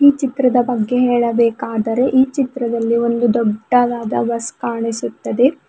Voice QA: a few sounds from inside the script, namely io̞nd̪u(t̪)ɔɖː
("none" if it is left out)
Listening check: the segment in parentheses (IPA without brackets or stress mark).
d̪